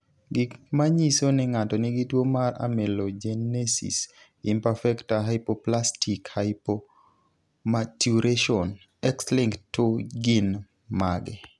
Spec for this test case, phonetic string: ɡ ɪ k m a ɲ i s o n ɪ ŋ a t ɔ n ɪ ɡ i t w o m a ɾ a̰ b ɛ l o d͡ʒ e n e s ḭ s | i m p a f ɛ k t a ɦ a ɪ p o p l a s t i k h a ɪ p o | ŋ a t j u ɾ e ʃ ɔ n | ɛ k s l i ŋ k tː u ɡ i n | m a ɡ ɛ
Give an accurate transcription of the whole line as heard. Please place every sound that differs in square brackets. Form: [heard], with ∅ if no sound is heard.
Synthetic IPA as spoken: ɡ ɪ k m a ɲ i s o n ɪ ŋ a t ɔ n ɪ ɡ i t w o m a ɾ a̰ [m] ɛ l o d͡ʒ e n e s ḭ s | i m p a f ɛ k t a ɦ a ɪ p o p l a s t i k h a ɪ p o | [m] a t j u ɾ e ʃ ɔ n | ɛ k s l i ŋ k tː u ɡ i n | m a ɡ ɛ